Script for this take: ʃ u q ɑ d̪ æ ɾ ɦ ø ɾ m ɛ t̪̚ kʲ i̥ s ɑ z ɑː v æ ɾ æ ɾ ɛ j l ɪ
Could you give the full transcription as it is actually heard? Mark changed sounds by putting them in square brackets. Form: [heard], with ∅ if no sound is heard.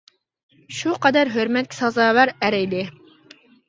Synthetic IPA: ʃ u q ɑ d̪ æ ɾ ɦ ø ɾ m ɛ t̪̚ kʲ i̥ s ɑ z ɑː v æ ɾ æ ɾ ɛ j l ɪ